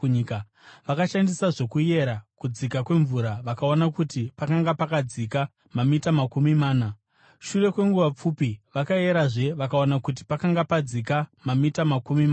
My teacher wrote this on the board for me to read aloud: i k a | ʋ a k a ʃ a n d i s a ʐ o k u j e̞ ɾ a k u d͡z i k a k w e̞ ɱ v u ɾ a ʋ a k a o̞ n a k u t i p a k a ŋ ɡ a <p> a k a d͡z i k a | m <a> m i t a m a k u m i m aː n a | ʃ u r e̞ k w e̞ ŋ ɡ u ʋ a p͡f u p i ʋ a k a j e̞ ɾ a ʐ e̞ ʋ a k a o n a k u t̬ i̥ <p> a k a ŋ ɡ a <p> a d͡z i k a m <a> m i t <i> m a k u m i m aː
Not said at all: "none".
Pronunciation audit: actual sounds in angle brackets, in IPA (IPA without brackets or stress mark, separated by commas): p, a, p, p, a, a